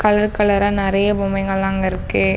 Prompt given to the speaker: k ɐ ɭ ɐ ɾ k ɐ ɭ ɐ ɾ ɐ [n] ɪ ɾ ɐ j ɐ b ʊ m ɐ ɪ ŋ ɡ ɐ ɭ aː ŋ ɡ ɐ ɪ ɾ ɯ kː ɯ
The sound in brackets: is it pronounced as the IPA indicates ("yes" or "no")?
yes